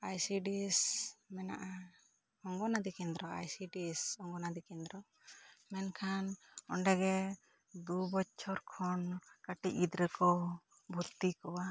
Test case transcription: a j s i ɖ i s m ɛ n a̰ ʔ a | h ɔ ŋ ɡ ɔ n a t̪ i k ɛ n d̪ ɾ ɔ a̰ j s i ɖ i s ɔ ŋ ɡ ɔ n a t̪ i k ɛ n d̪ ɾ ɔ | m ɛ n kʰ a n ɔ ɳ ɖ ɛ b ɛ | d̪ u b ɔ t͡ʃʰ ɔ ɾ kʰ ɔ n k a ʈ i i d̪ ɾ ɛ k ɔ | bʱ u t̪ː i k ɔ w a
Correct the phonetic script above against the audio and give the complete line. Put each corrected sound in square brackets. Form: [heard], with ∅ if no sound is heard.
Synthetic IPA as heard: a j s i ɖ i s m ɛ n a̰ ʔ a | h ɔ ŋ ɡ ɔ n a [d̪] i k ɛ n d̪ ɾ ɔ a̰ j s i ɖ i s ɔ ŋ ɡ ɔ n a [d̪] i k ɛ n d̪ ɾ ɔ | m ɛ n kʰ a n ɔ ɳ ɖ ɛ [ɡ] ɛ | d̪ u b ɔ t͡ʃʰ ɔ ɾ kʰ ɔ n k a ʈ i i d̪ ɾ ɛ k ɔ | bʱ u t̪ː i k ɔ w a

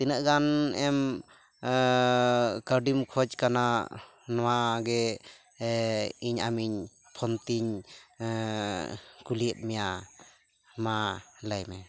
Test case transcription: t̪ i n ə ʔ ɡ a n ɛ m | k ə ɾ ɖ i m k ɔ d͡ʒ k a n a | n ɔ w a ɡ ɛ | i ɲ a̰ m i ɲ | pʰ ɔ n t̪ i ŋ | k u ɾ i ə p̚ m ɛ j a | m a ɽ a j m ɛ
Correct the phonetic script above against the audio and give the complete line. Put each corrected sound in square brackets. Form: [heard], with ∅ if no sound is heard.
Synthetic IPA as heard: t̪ i n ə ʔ ɡ a n ɛ m | k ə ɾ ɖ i m [kʰ] ɔ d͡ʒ k a n a | n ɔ w a ɡ ɛ | i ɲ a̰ m i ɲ | pʰ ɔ n t̪ i [ɲ] | k u [l] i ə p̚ m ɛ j a | m a [l] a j m ɛ

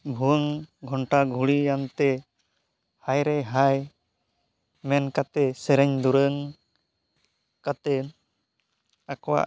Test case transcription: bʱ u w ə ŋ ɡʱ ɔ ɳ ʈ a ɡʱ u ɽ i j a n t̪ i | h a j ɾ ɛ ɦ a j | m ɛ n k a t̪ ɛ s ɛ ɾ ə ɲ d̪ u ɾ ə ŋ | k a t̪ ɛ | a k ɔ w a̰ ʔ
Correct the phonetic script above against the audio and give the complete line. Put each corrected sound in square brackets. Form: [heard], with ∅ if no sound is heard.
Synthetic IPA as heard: bʱ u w ə ŋ ɡʱ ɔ ɳ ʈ a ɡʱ u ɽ i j a n t̪ [ɛ] | h a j ɾ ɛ ɦ a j | m ɛ n k a t̪ ɛ s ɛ ɾ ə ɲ d̪ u ɾ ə ŋ | k a t̪ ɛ | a k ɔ w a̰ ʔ

